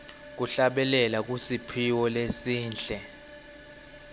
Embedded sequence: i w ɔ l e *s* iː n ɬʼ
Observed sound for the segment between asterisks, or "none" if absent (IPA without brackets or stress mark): s